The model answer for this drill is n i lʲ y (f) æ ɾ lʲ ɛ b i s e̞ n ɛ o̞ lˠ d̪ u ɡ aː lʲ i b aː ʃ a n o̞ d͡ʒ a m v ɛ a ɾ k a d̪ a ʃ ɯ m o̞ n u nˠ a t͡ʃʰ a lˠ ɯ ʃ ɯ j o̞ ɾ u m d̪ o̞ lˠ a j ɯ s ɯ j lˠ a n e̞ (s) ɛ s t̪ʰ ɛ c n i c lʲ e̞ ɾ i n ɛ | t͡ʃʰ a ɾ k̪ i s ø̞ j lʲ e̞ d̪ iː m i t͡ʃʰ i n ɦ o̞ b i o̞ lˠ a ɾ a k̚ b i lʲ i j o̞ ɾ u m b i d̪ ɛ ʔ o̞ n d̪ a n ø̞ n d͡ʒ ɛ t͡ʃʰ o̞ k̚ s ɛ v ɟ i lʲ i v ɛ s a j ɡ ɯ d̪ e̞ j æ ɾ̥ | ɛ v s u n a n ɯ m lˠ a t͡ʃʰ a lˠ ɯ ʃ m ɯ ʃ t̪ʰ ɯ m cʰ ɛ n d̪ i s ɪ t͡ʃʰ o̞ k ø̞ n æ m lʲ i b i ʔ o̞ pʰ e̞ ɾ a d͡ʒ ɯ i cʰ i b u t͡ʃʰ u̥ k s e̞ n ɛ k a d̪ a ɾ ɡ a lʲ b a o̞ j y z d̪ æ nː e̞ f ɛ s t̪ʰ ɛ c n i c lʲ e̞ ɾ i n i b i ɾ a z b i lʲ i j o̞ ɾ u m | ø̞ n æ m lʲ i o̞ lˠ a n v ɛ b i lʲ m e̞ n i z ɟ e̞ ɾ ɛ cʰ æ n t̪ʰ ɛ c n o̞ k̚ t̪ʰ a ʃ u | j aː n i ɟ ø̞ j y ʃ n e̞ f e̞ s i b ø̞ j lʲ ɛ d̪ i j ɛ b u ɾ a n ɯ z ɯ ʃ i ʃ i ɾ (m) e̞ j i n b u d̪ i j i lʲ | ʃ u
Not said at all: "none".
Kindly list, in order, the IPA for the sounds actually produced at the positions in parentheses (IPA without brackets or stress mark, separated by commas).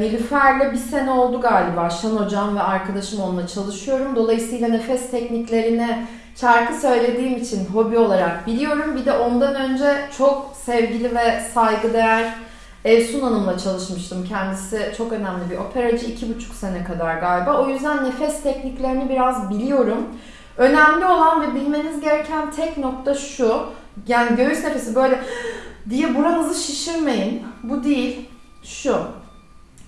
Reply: f, f, m